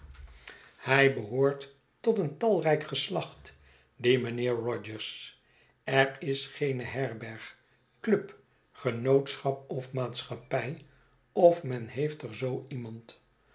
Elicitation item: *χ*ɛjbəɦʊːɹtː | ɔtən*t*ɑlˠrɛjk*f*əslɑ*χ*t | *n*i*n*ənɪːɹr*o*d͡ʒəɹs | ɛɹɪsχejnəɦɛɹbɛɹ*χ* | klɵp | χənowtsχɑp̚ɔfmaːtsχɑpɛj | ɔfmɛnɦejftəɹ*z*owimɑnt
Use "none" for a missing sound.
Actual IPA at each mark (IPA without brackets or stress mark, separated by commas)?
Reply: h, t, χ, χ, d, m, ɔ, χ, z